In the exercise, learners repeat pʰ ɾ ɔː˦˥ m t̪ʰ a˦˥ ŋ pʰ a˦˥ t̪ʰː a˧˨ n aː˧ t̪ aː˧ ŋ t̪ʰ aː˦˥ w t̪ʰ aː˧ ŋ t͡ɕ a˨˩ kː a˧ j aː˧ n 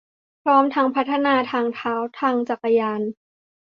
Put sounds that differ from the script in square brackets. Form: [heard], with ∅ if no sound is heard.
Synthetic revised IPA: pʰ ɾ ɔː˦˥ m t̪ʰ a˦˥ ŋ pʰ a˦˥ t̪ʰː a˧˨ n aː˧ [t̪ʰ] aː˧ ŋ t̪ʰ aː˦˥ w t̪ʰ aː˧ ŋ t͡ɕ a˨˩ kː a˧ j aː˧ n